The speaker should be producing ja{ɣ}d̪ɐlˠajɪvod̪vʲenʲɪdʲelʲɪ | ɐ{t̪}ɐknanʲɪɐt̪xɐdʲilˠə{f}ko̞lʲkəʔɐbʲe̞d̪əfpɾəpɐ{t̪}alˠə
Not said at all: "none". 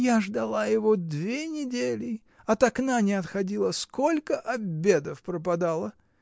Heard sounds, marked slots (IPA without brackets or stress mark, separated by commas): ʐ, t̪, s, d̪